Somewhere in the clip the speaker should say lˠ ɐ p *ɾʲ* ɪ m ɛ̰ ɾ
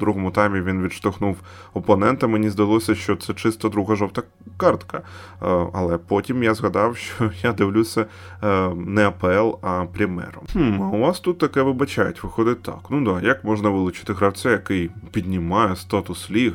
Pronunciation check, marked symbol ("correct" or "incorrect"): correct